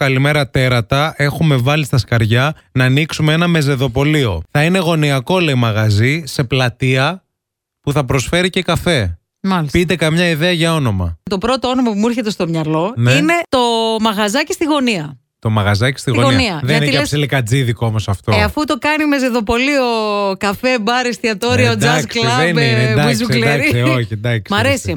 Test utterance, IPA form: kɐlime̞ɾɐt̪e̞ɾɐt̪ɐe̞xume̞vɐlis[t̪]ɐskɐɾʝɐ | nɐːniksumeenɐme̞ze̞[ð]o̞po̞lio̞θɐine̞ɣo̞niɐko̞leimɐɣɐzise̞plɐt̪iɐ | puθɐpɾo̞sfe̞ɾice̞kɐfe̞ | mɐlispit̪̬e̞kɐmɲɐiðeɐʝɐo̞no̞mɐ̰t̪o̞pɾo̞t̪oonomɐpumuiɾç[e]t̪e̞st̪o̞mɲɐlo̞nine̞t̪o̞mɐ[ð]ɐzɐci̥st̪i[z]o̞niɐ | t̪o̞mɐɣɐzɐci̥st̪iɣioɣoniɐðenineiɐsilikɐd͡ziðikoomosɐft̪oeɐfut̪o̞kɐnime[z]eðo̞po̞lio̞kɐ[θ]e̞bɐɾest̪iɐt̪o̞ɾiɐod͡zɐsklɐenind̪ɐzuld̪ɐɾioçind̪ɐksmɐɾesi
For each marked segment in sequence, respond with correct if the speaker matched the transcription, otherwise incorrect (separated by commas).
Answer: correct, correct, correct, incorrect, incorrect, correct, incorrect